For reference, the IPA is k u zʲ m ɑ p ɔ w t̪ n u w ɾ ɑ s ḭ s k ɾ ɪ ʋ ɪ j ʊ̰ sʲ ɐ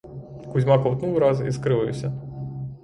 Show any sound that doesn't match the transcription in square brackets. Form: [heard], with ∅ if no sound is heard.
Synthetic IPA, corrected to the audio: k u zʲ m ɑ [k] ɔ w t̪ n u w ɾ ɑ [z] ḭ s k ɾ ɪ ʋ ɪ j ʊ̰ sʲ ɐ